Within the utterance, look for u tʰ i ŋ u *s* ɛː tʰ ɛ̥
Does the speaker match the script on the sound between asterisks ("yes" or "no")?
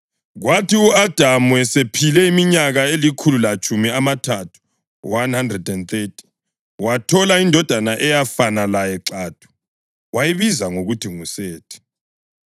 yes